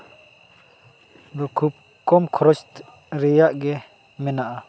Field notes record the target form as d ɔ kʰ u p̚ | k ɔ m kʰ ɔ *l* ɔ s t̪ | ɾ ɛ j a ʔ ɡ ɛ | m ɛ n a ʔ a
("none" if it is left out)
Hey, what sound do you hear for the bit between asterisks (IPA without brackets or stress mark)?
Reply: ɾ